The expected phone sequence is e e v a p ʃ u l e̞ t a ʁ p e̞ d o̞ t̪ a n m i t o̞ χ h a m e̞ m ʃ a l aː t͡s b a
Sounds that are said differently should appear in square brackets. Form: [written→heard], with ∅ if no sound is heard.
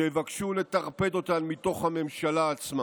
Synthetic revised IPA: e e v a [p→k] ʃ u l e̞ t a ʁ p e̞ d o̞ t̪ a n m i t o̞ χ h a m e̞ m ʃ a l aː t͡s [b→m] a

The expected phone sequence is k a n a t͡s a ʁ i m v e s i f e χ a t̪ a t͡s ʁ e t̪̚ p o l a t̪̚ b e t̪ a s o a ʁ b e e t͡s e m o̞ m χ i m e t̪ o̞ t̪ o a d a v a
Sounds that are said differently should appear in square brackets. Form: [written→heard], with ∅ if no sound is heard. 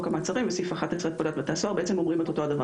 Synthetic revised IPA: k a [n→m] a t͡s a ʁ i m v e s i f [e→a] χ a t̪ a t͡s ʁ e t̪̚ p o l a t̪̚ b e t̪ a s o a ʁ b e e t͡s e m o̞ m [χ→ʁ] i m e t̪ o̞ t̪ o a d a v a

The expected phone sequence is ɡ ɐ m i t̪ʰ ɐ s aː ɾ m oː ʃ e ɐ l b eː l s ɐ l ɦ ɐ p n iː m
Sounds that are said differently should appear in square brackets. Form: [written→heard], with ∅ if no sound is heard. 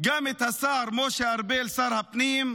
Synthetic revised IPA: ɡ ɐ m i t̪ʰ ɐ s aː ɾ m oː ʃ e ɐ [l→ɾ] b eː l s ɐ [l→ɾ] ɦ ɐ p n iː m

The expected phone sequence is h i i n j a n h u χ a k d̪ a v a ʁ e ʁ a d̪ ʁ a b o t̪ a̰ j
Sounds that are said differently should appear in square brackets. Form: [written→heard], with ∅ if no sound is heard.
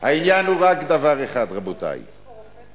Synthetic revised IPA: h [i→a] i n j a n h u [χ→ʁ] a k d̪ a v a ʁ e [ʁ→χ] a d̪ ʁ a b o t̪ a̰ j

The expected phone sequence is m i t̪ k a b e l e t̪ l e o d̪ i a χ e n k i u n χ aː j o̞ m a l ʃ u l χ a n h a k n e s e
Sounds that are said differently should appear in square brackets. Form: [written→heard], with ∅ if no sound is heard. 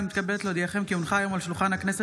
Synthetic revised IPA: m i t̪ k a b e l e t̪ l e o d̪ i a χ e [n→m] k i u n χ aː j o̞ m a l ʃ u l χ a n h a k n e s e

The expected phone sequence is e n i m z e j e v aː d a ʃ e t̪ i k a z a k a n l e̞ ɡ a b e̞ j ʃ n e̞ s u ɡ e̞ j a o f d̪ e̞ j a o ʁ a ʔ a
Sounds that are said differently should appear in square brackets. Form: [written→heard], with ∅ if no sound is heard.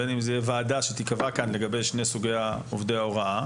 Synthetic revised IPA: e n i m z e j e v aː d a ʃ e t̪ i k a [z→v] a k a n l e̞ ɡ a b e̞ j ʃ n e̞ s u ɡ e̞ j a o [f→v] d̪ e̞ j a o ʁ a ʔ a

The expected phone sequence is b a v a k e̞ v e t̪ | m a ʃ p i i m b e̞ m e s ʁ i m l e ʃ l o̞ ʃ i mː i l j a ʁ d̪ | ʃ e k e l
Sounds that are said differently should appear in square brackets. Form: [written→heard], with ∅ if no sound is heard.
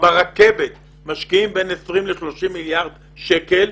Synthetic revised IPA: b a [v→ʁ] a k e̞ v e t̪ | m a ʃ [p→k] i i m b e̞ [m→n] e s ʁ i m l e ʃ l o̞ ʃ i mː i l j a ʁ d̪ | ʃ e k e l

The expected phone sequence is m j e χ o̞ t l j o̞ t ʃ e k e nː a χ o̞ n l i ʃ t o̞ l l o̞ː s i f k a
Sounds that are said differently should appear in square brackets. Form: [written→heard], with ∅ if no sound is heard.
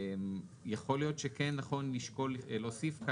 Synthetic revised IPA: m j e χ o̞ [t→∅] l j o̞ t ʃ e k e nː a χ o̞ n l i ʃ [t→k] o̞ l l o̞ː s i f k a

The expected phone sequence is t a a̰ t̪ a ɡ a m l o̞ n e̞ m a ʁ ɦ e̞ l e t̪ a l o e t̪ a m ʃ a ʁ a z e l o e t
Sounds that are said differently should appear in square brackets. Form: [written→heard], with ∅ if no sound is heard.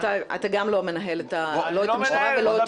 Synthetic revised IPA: t a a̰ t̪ a ɡ a m l o̞ [n→m] e̞ [m→n] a [ʁ→∅] ɦ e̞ l e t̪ a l o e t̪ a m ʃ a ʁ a [z→v] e l o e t

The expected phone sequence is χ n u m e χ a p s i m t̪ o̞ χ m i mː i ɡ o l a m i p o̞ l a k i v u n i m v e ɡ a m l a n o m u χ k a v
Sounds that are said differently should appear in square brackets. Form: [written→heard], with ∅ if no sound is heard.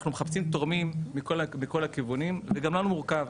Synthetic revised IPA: χ n u m e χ a p s i m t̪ o̞ [χ→ʁ] m i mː i [ɡ→k] o l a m i [p→k] o̞ l a k i v u n i m v e ɡ a m l a n [o→u] m u [χ→ʁ] k a v

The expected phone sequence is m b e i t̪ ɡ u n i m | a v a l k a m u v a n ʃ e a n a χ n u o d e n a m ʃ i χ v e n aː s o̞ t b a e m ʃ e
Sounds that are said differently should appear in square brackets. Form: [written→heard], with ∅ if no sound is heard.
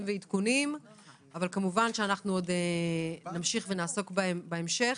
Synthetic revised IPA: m [b→v] e i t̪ [ɡ→k] u n i m | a v a l k a m u v a n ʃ e a n a χ n u o d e n a m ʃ i χ v e n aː s o̞ [t→k] b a e m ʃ e

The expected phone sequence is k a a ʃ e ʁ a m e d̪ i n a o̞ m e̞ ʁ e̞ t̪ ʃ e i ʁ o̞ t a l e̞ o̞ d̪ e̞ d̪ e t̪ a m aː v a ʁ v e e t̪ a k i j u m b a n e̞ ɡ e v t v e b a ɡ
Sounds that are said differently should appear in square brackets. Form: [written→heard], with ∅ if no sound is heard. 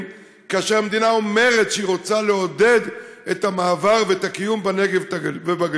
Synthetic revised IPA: k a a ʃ e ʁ a m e d̪ i n a o̞ m e̞ ʁ e̞ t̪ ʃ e i ʁ o̞ [t→t͡s] a l e̞ o̞ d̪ e̞ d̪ e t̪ a m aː v a ʁ v e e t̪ a k i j u m b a n e̞ ɡ e v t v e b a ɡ

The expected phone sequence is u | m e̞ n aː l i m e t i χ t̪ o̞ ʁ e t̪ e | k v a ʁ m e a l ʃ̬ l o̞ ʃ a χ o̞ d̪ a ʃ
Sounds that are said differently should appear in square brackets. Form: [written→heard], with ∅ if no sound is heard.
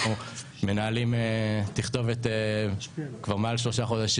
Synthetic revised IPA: u | m e̞ n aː l i m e t i χ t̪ o̞ [ʁ→v] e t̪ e | k v a ʁ m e a l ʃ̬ l o̞ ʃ a χ o̞ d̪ a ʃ

